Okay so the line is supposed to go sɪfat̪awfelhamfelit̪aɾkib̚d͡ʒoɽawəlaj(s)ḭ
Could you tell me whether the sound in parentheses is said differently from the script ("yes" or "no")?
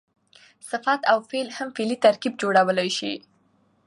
yes